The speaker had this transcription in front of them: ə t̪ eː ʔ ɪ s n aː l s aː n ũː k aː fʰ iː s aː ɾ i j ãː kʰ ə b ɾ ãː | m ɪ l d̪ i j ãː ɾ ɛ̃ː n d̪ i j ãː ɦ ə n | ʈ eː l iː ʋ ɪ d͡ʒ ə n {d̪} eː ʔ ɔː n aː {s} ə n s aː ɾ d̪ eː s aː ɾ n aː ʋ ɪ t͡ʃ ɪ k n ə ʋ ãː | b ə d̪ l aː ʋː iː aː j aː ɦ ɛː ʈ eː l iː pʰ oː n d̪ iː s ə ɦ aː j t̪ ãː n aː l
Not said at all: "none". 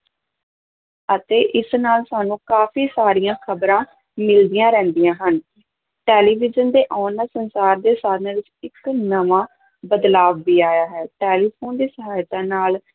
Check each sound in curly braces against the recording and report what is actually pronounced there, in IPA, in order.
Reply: d̪, s

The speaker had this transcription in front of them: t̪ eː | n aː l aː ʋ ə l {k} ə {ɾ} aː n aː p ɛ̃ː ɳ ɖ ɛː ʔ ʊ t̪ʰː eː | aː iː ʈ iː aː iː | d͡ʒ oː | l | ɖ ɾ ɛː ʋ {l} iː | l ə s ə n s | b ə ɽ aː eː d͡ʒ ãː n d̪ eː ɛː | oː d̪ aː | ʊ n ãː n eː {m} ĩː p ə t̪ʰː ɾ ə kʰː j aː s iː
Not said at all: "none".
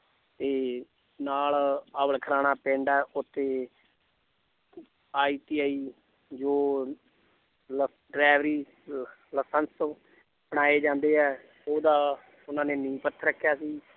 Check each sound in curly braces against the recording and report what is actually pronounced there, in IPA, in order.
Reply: kʰ, ɾ, ɾ, n

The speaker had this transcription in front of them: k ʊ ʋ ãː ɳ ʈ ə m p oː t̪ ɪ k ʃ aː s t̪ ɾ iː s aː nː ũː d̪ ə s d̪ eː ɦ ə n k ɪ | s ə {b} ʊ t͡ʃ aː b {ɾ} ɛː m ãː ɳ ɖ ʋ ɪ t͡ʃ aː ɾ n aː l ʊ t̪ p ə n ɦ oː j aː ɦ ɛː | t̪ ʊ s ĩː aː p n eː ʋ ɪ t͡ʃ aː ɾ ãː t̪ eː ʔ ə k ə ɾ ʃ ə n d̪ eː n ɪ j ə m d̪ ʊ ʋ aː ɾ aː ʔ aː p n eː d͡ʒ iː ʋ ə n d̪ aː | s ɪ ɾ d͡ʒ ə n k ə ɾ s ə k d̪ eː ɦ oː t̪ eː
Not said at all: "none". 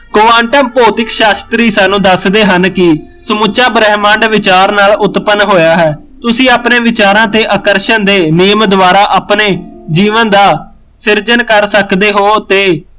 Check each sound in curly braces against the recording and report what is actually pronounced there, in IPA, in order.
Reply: m, ɾ

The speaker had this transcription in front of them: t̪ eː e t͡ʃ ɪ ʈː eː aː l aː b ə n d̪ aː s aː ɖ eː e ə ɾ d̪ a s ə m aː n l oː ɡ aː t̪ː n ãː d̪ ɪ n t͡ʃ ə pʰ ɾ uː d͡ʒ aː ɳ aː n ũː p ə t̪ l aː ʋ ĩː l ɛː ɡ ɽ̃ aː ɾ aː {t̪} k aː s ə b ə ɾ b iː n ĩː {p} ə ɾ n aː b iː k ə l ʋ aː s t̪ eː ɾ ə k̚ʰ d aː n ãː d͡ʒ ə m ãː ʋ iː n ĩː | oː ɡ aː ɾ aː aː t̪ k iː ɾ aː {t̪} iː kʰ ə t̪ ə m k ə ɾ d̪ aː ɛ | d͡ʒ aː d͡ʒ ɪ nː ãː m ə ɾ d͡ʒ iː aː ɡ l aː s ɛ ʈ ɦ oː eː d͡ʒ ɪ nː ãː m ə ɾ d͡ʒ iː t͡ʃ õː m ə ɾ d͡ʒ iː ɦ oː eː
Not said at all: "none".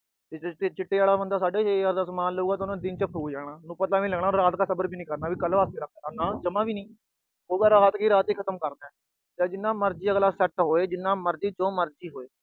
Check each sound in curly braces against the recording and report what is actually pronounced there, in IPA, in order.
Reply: t̪, k, t̪

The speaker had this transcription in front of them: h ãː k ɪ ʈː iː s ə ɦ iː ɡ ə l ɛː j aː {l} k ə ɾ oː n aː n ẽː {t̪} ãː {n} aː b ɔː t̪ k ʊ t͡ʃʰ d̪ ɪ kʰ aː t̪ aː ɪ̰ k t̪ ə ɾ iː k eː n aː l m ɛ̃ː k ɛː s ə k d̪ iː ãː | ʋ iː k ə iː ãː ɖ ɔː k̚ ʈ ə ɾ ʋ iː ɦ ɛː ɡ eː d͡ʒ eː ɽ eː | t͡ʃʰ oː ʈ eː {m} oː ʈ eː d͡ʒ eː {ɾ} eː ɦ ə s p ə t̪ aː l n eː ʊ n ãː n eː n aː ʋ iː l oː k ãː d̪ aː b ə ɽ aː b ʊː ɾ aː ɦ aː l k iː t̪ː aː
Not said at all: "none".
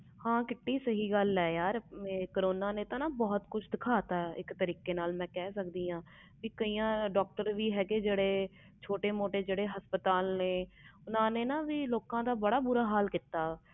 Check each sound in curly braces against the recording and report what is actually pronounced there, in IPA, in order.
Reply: ɾ, t̪, n, m, ɽ

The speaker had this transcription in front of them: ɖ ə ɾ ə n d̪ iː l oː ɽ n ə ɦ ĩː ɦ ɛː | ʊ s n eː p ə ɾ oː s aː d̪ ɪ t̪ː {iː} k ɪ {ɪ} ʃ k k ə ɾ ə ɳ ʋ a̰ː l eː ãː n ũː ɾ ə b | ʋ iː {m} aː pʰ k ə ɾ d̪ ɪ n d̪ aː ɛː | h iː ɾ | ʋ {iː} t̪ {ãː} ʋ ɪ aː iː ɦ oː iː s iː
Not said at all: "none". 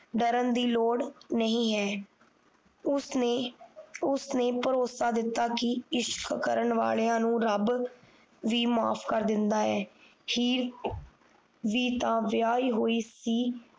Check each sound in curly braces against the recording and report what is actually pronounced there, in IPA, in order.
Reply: aː, ɪ, m, iː, ãː

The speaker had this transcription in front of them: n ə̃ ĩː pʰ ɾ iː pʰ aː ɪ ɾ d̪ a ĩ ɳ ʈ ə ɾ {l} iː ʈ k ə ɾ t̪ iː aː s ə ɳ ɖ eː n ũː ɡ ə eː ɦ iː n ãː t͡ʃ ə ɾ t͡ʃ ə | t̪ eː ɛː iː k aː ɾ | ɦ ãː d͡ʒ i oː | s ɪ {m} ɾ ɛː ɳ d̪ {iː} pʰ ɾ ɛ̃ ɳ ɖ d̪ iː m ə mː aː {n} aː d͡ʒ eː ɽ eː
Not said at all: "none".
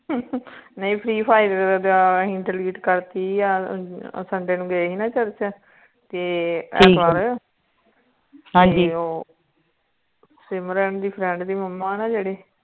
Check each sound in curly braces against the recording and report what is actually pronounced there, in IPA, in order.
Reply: l, m, iː, n

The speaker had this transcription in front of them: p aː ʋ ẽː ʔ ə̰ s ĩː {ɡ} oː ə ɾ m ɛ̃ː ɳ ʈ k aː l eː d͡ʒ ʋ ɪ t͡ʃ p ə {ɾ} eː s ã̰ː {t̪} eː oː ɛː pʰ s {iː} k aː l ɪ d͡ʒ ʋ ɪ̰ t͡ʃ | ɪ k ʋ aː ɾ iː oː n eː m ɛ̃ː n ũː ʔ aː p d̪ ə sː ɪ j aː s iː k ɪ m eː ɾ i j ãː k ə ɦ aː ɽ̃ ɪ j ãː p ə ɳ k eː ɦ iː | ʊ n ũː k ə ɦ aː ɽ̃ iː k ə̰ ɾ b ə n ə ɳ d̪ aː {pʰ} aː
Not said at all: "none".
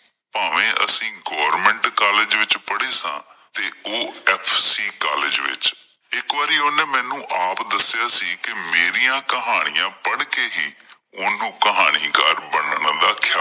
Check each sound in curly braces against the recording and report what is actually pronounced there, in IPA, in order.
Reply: ɡ, ɽ, t̪, iː, kʰ

